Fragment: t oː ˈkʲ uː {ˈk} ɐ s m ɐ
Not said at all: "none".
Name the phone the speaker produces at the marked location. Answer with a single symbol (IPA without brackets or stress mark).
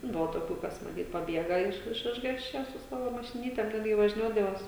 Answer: k